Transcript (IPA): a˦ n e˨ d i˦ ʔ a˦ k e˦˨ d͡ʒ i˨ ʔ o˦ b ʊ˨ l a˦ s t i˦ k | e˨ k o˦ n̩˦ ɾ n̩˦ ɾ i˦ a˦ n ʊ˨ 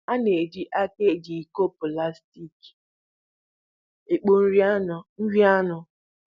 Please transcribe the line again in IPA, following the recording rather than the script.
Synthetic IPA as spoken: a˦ n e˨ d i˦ ʔ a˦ k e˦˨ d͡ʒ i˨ k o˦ p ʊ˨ l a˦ s t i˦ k | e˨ k͡p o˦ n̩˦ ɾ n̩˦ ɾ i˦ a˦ n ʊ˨